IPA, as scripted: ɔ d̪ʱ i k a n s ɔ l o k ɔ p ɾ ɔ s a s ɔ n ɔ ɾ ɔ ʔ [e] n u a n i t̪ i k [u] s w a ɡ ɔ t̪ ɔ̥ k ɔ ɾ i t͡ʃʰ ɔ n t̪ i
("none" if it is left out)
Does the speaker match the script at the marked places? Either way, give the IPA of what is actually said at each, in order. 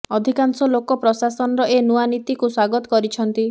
e, u

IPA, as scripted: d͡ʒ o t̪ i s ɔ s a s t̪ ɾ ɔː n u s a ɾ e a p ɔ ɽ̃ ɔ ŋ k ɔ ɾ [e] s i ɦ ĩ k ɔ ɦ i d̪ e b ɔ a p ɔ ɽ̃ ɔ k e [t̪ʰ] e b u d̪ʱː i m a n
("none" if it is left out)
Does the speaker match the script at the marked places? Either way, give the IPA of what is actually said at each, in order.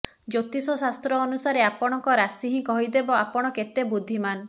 a, t̪

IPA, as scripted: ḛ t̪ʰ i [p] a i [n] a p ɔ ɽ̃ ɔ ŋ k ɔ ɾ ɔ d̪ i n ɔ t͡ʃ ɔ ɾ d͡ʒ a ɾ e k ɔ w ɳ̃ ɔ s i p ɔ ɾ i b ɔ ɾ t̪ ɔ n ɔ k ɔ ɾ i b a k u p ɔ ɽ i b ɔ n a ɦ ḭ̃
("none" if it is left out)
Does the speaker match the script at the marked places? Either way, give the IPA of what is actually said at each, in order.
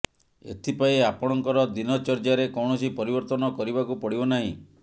p, none

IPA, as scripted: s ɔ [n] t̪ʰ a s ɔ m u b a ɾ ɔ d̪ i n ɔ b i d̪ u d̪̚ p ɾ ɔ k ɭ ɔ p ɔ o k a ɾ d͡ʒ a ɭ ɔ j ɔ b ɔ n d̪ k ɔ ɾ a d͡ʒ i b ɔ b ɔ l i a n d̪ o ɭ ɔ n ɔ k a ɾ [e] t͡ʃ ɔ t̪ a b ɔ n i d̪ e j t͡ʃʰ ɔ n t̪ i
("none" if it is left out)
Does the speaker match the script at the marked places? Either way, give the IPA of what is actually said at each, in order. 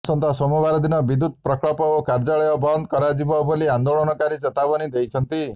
n, i

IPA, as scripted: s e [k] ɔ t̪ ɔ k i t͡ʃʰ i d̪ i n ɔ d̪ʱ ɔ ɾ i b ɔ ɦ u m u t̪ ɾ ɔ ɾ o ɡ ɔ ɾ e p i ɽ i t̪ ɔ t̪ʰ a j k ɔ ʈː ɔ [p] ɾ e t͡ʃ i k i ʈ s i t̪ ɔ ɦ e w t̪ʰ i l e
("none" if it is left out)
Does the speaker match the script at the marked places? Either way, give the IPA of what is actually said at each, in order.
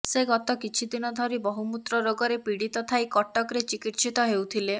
ɡ, k

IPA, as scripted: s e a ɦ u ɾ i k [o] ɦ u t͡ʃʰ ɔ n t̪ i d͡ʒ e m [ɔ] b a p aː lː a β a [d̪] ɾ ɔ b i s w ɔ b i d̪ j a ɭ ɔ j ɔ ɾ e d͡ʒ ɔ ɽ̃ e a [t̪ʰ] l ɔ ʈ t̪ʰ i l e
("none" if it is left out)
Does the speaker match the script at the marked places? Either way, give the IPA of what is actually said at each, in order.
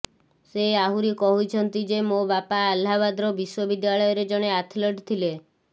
ɔ, o, d̪, t̪ʰ

